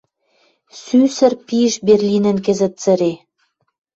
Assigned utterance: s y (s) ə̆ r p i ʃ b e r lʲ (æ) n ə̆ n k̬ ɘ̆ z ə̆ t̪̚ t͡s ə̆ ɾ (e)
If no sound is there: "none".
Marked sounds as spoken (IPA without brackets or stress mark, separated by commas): s, i, e